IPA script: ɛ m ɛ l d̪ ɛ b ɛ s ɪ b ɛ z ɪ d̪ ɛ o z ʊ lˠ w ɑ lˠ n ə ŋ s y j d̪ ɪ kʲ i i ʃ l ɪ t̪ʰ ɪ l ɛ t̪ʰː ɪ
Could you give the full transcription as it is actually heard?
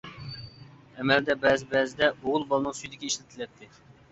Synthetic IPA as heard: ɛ m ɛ l d̪ ɛ b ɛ z ɪ b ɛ z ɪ d̪ ɛ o ʁ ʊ lˠ b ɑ lˠ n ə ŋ s y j d̪ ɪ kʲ i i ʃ l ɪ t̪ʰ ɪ l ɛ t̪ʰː ɪ